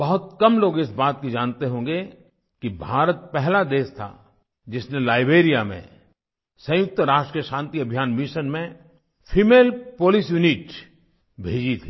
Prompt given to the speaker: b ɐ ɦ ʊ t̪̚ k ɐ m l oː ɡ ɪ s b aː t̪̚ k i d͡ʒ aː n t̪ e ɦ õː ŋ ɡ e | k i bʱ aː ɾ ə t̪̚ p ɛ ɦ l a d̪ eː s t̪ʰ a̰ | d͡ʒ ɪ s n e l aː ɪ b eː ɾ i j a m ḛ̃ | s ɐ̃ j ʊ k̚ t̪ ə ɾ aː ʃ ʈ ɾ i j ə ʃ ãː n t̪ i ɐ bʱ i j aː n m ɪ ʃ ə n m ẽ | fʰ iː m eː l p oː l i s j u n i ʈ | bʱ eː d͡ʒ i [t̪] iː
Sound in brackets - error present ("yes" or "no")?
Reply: yes